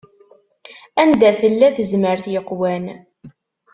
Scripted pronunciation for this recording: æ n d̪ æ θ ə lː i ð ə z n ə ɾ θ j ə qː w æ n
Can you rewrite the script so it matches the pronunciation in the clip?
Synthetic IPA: æ n d̪ æ θ ə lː æ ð ə z m ə ɾ θ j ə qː w æ n